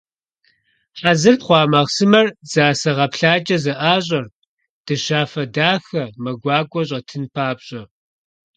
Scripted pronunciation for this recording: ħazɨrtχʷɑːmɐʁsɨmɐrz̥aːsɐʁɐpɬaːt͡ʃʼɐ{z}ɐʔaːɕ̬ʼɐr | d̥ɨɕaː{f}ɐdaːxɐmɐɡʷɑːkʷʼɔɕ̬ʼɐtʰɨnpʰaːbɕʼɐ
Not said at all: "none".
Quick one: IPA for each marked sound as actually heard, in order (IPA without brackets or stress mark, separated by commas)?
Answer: z, f